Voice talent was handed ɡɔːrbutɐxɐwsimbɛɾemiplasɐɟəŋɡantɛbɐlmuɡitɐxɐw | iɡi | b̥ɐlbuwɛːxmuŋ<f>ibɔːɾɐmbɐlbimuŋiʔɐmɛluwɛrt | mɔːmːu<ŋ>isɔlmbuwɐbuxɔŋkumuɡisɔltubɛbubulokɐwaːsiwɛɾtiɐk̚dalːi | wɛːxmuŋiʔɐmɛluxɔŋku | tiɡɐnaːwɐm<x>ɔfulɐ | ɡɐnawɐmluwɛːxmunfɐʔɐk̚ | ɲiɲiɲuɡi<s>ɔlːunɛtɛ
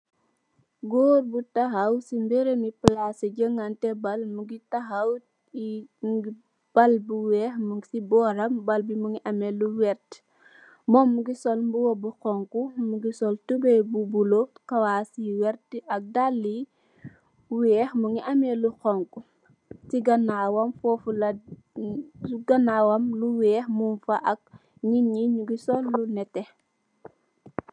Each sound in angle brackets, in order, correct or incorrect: incorrect: s, incorrect: ɡ, incorrect: f, correct

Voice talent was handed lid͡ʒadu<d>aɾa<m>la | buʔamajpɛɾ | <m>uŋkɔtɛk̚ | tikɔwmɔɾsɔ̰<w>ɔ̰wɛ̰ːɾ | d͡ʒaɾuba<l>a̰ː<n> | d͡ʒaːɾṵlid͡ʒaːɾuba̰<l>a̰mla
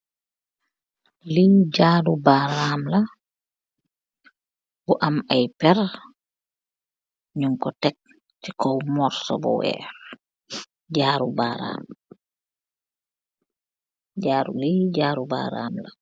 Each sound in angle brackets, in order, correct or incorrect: incorrect: b, correct, incorrect: ɲ, incorrect: b, incorrect: ɾ, incorrect: m, incorrect: ɾ

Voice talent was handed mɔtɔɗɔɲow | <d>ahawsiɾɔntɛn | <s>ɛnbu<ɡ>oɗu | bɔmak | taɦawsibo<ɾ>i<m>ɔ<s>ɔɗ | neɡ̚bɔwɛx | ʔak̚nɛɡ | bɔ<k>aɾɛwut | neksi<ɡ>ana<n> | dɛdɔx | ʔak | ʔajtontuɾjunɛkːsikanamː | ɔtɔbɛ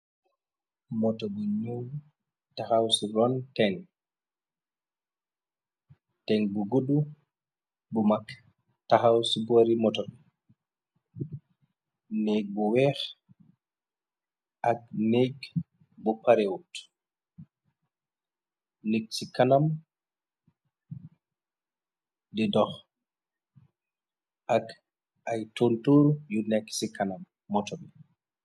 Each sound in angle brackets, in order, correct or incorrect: incorrect: t, incorrect: t, correct, correct, correct, incorrect: t, incorrect: p, incorrect: k, incorrect: m

